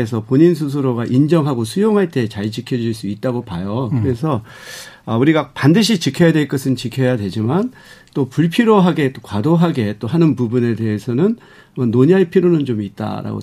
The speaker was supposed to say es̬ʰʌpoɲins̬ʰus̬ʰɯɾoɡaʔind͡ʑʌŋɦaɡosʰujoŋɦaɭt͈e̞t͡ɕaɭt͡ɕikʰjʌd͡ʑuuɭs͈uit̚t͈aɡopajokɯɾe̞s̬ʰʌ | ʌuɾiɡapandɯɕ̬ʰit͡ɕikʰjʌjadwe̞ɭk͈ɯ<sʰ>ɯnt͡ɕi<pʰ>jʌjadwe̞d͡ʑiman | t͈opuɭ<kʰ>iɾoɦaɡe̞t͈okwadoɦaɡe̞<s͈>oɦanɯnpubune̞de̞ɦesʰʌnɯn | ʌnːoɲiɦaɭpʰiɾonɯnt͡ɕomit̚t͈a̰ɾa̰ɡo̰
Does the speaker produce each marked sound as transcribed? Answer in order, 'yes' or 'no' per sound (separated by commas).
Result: yes, no, no, no